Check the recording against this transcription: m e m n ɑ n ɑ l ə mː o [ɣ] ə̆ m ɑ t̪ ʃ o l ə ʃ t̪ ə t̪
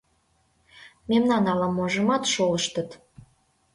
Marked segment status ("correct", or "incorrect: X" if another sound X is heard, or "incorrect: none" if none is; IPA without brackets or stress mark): incorrect: ʒ